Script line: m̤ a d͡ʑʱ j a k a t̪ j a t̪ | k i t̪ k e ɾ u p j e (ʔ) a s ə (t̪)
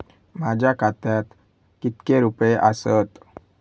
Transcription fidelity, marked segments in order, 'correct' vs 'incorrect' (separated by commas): correct, correct